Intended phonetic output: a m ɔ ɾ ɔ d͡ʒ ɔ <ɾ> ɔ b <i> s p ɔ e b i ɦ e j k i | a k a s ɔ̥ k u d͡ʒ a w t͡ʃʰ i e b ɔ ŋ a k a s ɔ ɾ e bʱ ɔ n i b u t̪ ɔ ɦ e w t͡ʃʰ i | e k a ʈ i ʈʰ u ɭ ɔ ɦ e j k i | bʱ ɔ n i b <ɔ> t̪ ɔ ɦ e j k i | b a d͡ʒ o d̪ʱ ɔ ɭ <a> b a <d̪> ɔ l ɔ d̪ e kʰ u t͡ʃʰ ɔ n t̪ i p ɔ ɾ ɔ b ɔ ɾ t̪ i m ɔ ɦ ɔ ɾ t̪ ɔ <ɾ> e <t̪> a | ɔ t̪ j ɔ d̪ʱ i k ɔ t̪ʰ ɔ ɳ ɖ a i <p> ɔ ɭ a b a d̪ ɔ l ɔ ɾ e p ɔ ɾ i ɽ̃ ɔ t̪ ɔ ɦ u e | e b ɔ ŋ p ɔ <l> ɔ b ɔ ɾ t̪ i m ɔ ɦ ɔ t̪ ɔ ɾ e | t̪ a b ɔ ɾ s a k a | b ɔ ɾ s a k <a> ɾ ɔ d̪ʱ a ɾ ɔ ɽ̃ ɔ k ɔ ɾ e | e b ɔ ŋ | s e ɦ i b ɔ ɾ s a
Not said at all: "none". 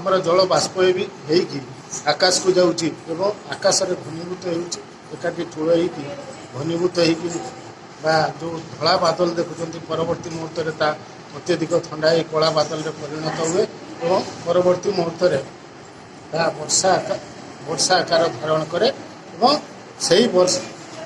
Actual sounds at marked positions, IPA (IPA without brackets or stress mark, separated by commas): ɭ, a, u, a, d̪, ɾ, t̪, k, ɾ, a